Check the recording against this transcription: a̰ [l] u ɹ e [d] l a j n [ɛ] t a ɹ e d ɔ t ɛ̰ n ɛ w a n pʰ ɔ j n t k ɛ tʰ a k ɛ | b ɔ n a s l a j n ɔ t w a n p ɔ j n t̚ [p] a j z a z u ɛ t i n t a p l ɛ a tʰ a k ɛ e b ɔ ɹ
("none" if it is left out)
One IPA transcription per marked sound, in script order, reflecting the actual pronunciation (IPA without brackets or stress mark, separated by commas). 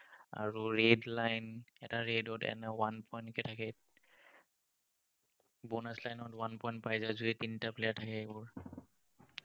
ɹ, d, ɛ, p